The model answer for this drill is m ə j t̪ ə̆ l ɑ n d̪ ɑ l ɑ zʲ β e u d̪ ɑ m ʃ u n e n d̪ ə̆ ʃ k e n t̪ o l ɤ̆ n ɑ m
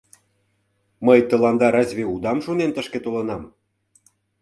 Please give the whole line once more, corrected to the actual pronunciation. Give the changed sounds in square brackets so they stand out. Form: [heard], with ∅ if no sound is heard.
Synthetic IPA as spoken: m ə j t̪ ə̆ l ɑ n d̪ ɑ [ɾ] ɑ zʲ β e u d̪ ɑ m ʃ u n e n [t̪] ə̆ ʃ k e [∅] t̪ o l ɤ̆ n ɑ m